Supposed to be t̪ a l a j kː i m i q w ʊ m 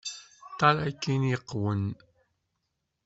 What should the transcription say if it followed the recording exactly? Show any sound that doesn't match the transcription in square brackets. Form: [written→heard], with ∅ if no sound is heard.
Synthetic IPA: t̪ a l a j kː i [m→n] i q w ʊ [m→n]